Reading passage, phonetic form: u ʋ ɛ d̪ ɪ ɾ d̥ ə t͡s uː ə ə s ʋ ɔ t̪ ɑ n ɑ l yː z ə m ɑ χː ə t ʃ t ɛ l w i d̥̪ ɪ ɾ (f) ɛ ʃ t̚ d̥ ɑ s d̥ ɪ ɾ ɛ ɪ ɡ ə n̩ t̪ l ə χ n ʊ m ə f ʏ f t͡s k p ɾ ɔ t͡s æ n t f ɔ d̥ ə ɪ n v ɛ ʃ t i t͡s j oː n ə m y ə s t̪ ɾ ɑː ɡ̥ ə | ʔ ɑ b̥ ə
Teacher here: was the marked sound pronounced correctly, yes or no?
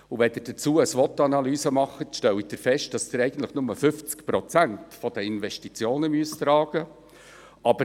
yes